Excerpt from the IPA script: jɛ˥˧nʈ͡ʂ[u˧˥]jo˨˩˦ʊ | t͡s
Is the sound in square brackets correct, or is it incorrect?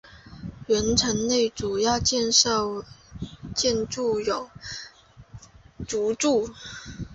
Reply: incorrect